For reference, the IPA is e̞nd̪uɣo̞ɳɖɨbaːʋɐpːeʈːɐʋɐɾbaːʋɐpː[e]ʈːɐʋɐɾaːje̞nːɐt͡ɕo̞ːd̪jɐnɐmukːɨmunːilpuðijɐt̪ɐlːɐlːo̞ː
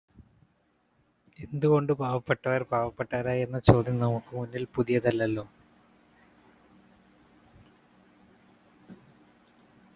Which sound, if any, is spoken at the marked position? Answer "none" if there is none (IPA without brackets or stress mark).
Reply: e